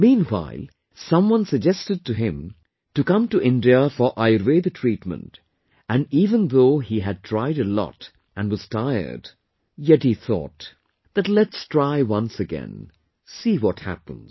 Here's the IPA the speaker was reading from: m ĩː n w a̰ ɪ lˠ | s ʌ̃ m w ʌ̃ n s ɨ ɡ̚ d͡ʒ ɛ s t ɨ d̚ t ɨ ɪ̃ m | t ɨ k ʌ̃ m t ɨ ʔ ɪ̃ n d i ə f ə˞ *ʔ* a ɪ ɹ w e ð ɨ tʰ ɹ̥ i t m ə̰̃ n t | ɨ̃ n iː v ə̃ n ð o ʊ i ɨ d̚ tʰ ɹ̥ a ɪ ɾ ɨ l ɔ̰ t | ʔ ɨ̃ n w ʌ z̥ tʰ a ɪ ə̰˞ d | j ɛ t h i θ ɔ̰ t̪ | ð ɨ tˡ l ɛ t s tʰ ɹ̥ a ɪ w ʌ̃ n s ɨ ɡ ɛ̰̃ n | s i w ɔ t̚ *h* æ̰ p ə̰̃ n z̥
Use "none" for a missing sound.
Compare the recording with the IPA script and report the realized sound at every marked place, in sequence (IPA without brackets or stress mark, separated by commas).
ʔ, h